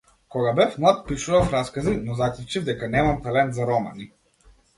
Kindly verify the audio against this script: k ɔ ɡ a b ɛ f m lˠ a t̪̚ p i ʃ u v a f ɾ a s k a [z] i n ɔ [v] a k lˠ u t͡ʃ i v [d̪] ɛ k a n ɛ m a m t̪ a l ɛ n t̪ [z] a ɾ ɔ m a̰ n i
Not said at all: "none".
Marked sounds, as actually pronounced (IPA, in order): z, z, d̪, z

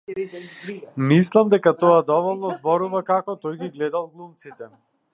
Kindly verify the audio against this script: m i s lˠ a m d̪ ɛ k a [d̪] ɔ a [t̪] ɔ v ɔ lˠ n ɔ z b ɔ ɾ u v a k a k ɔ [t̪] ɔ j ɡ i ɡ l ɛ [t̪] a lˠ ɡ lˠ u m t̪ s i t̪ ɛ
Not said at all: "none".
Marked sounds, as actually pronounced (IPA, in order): t̪, d̪, t̪, d̪

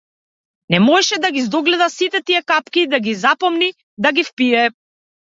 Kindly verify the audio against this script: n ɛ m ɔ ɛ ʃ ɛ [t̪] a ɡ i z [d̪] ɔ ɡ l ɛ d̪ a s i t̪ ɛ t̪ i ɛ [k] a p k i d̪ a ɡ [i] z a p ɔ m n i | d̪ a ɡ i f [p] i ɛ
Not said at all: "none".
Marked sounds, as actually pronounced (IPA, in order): d̪, d̪, k, i, p

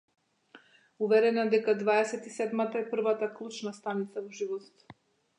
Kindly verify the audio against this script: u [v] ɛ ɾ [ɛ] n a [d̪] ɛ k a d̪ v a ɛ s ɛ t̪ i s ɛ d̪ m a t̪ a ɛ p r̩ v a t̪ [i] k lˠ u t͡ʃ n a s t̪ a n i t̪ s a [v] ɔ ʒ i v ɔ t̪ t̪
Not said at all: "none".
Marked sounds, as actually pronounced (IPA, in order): v, ɛ, d̪, a, v

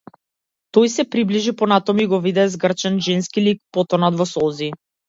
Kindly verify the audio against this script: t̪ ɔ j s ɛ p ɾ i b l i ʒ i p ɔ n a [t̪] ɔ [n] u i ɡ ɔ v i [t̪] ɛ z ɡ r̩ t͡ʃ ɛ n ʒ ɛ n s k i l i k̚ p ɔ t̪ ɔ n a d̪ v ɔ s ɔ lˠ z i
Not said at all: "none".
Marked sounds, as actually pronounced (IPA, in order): t̪, m, d̪

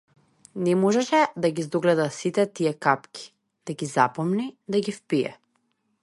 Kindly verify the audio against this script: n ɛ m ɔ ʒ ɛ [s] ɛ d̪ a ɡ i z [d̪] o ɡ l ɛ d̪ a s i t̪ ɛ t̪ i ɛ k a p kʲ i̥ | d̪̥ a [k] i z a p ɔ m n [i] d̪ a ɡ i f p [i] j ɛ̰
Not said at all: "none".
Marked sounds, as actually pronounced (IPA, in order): ʃ, d̪, ɡ, i, i

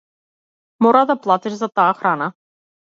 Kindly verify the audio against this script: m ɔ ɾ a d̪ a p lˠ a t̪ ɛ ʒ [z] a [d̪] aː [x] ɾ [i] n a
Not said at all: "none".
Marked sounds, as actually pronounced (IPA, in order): z, t̪, x, a

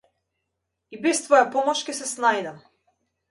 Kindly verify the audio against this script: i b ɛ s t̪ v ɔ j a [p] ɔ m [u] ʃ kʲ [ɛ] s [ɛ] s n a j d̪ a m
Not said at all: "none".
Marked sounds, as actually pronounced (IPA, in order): p, ɔ, ɛ, ɛ

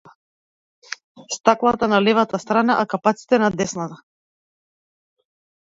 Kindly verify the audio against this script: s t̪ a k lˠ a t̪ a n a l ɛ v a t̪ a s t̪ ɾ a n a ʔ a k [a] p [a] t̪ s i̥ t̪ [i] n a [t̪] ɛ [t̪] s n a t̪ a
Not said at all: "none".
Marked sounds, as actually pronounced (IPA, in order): a, a, ɛ, d̪, none

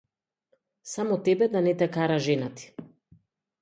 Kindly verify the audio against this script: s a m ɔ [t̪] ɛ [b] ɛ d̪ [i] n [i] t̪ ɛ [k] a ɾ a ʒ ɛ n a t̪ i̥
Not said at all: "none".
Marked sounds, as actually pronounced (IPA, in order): t̪, b, a, ɛ, k

